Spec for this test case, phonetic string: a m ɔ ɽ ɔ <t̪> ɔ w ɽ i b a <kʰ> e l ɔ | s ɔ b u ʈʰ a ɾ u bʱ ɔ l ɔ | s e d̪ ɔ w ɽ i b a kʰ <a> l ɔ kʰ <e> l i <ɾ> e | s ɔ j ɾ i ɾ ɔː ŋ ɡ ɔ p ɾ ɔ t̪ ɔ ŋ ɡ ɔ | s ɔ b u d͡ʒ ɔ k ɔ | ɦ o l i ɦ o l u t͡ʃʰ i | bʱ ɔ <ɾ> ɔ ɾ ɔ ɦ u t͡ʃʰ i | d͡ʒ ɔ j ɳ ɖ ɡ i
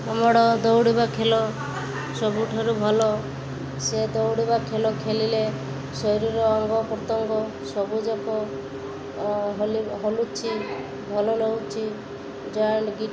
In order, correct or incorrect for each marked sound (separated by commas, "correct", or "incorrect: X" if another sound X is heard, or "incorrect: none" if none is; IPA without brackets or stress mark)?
incorrect: d̪, correct, incorrect: e, correct, incorrect: l, incorrect: l